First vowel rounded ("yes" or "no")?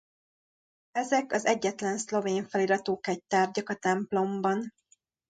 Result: no